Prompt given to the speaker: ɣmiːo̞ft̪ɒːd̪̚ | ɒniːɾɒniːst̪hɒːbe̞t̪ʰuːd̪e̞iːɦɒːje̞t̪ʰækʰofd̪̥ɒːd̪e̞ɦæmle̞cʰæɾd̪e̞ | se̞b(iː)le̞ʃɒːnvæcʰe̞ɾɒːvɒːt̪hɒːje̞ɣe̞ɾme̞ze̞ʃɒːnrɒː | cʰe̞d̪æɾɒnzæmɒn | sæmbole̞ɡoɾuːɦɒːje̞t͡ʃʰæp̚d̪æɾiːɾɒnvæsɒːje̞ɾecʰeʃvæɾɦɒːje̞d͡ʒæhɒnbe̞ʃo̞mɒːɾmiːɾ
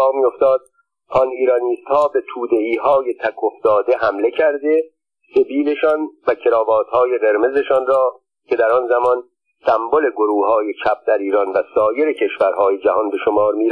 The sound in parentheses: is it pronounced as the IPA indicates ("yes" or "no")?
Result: yes